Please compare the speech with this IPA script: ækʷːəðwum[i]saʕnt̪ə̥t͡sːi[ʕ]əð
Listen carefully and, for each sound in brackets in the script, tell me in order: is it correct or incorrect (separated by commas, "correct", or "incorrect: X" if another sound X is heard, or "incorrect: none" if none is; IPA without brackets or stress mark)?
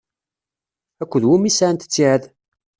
correct, correct